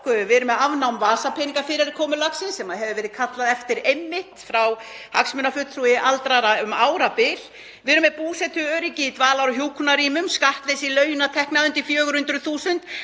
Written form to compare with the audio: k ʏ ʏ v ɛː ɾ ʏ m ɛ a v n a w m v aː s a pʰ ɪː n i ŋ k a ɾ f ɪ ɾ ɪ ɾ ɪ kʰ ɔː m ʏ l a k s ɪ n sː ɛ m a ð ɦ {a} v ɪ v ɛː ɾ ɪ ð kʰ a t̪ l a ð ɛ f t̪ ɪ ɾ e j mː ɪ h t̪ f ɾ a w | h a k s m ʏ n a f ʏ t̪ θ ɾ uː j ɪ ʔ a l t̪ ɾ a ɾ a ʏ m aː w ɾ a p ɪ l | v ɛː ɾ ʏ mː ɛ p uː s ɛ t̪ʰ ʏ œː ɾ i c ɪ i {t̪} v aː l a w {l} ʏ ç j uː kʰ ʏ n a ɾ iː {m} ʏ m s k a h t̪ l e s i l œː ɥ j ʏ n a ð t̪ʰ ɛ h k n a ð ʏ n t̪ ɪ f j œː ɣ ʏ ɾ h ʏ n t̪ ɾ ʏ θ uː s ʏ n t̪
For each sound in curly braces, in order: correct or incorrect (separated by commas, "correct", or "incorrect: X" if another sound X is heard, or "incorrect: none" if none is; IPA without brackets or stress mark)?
incorrect: ɛ, correct, incorrect: ɾ, correct